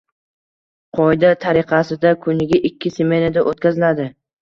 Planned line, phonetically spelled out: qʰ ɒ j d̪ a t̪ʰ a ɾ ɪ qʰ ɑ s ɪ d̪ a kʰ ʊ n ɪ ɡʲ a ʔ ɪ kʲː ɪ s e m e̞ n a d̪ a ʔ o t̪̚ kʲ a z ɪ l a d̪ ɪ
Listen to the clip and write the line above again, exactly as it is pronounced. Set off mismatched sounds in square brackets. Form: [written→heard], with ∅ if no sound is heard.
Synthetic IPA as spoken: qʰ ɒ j d̪ a t̪ʰ a ɾ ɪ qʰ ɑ s ɪ d̪ a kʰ ʊ n ɪ ɡʲ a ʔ ɪ kʲː ɪ s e m e̞ n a d̪ a ʔ o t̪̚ kʲ a z ɪ l a d̪ ɪ